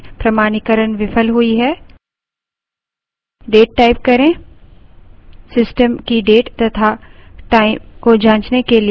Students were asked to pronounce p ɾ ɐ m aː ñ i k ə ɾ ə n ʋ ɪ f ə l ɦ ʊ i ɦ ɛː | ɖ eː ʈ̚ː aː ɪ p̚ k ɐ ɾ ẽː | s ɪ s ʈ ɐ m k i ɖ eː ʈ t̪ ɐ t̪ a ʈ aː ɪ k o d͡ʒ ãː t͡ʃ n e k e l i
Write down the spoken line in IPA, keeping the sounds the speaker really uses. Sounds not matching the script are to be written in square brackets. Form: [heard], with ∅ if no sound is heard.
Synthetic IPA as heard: p ɾ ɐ m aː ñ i k ə ɾ ə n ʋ ɪ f ə l ɦ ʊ i ɦ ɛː | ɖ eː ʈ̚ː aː ɪ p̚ k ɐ ɾ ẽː | s ɪ s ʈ [ə] m k i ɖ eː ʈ t̪ ɐ [t̪ʰ] a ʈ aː ɪ k o d͡ʒ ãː t͡ʃ n e k e l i

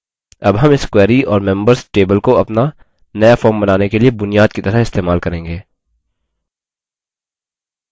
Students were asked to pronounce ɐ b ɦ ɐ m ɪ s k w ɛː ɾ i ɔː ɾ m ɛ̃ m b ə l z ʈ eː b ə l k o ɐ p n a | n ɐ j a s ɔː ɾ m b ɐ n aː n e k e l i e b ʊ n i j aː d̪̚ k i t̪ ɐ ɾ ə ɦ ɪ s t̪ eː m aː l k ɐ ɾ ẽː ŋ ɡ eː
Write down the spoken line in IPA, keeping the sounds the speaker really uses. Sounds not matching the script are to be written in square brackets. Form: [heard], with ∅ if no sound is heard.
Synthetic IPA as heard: ɐ b ɦ ɐ m ɪ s k w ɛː ɾ i ɔː ɾ m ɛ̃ m b ə [ɾ] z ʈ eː b ə l k o ɐ p n a | n ɐ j a [f] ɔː ɾ m b ɐ n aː n e k e l i e b ʊ n i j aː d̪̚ k i t̪ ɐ ɾ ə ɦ ɪ s t̪ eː m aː l k ɐ ɾ ẽː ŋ ɡ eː

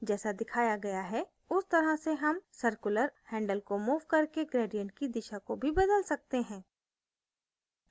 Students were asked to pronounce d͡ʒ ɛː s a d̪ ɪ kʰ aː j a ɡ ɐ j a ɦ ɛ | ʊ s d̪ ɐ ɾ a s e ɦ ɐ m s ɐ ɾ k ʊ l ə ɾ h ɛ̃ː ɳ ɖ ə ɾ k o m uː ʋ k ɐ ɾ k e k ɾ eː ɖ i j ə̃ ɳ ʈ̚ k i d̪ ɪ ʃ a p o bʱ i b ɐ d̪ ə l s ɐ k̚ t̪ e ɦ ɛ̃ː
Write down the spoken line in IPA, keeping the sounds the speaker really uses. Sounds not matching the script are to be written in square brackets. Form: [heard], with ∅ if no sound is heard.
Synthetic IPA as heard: d͡ʒ ɛː s a d̪ ɪ kʰ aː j a ɡ ɐ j a ɦ ɛ | ʊ s [t̪] ɐ ɾ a s e ɦ ɐ m s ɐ ɾ k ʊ l ə ɾ h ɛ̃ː ɳ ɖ ə [l] k o m uː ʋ k ɐ ɾ k e [ɡ] ɾ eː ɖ i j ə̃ ɳ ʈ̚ k i d̪ ɪ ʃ a [k] o bʱ i b ɐ d̪ ə l s ɐ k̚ t̪ e ɦ ɛ̃ː

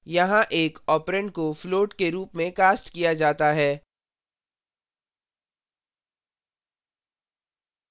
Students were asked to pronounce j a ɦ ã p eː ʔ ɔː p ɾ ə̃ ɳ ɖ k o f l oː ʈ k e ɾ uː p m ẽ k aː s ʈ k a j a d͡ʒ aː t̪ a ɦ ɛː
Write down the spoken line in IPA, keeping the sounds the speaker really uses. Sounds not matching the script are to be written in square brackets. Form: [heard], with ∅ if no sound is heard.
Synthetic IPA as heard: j [ɐ] ɦ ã [ʔ] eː [k] ɔː p ɾ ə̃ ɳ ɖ k o f l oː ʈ k e ɾ uː p m ẽ k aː s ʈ k [i] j a d͡ʒ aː t̪ a ɦ ɛː

